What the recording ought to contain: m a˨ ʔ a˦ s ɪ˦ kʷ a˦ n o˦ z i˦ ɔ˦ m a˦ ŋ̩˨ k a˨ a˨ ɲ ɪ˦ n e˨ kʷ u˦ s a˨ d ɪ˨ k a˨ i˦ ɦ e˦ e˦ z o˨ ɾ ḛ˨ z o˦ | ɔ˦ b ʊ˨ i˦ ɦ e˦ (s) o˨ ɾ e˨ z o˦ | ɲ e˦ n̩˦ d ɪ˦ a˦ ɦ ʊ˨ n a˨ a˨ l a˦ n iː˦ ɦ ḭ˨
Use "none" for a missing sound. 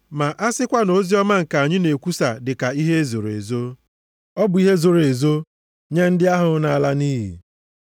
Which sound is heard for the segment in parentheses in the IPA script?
z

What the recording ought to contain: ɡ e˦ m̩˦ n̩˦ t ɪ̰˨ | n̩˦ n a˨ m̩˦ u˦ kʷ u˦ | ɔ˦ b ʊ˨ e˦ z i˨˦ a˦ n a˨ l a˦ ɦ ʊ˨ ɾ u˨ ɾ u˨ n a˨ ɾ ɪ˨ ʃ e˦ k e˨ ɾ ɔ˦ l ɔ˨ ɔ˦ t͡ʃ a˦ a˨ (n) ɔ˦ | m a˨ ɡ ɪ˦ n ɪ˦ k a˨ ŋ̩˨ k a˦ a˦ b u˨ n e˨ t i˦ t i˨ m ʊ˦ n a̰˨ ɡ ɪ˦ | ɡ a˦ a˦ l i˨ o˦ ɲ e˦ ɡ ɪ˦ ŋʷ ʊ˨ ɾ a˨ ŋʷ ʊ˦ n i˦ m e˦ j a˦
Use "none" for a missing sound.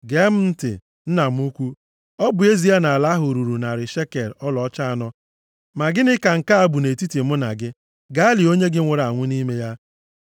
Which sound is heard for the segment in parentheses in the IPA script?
n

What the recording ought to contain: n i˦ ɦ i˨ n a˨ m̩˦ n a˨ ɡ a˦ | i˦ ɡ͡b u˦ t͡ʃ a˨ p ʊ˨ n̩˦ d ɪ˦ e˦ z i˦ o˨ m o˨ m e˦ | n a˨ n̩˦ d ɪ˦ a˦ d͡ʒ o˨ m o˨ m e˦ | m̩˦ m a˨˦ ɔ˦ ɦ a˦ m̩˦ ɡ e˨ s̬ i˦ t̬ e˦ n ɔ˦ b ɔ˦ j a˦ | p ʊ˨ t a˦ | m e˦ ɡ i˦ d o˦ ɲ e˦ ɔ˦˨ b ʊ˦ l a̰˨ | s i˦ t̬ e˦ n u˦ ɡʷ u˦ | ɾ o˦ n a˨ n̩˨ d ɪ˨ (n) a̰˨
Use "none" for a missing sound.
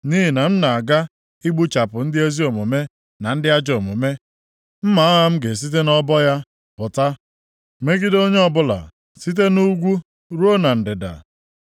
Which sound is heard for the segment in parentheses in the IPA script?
d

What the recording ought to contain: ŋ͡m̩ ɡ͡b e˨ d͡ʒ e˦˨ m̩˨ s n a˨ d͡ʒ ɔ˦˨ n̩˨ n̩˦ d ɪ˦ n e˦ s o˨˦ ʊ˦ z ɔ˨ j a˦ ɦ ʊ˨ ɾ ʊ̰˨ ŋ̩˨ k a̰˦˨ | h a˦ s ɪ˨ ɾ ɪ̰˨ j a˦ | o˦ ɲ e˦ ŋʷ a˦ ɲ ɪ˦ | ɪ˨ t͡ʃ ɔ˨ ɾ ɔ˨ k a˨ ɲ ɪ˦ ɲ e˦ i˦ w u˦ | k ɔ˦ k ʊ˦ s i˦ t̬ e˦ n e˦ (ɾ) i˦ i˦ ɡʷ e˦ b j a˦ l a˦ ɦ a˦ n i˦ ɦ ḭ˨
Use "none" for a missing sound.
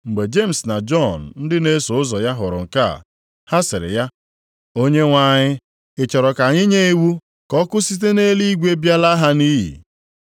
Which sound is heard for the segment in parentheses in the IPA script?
l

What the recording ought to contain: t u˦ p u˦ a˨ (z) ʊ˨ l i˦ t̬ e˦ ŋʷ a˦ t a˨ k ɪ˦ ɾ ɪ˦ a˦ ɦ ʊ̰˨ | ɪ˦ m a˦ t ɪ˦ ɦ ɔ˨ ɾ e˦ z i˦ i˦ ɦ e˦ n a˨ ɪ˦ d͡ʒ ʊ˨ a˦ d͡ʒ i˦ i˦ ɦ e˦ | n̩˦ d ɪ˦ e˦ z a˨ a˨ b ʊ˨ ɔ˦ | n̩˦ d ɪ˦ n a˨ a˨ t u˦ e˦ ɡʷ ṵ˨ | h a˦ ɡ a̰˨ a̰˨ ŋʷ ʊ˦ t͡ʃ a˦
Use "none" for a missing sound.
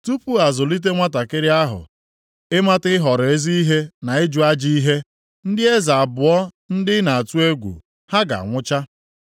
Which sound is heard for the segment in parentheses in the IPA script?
z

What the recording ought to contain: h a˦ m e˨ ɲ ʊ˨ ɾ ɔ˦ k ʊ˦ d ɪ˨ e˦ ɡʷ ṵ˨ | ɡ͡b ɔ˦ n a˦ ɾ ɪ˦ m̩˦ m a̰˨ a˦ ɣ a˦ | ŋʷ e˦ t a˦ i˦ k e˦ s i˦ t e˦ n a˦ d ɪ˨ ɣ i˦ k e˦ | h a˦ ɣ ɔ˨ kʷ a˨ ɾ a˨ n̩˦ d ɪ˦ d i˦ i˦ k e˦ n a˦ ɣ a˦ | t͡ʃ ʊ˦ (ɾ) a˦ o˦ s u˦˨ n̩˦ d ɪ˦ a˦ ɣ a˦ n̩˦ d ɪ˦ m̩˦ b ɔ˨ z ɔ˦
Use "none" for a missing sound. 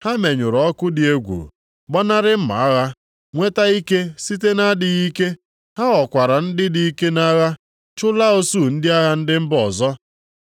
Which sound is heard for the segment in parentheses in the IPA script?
l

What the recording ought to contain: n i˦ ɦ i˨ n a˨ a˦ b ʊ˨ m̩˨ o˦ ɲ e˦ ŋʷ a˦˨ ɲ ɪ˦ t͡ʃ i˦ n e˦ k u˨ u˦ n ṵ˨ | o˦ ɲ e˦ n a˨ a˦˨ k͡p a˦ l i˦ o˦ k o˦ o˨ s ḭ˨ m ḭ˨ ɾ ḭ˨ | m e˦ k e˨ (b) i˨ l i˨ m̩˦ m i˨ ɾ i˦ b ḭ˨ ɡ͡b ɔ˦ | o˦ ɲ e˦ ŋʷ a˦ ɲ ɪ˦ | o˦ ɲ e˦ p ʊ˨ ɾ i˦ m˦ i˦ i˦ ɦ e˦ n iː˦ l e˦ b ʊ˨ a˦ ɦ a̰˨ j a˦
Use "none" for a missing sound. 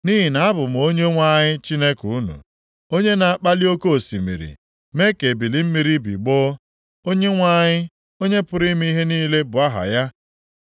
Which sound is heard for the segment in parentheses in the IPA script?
b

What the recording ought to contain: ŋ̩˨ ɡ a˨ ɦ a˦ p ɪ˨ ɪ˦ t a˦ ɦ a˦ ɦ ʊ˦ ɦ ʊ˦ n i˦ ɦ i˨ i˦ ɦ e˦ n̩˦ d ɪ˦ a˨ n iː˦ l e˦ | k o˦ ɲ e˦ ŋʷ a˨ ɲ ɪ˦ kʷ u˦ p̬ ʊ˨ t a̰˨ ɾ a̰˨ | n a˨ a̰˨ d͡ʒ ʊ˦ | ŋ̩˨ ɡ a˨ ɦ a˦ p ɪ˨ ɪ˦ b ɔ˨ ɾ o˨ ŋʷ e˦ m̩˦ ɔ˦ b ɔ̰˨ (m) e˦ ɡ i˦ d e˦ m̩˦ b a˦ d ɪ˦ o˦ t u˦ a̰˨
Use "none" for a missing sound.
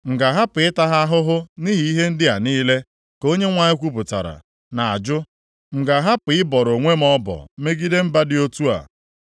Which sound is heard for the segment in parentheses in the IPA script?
m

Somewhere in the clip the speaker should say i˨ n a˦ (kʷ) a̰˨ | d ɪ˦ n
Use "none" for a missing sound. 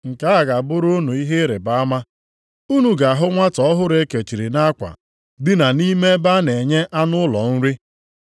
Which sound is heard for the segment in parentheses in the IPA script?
kʷ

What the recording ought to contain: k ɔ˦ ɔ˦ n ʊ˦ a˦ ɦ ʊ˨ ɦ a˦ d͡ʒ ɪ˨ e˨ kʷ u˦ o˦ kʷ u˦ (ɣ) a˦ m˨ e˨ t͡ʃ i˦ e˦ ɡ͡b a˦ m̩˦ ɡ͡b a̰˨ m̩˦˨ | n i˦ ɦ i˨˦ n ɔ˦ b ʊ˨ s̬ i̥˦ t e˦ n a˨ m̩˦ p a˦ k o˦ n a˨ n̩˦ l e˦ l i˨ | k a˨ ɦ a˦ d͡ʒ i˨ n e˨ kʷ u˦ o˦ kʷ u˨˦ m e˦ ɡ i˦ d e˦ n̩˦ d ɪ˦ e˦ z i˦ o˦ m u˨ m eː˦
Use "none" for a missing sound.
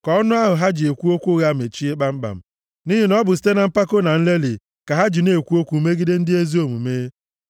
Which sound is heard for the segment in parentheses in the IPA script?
ɣ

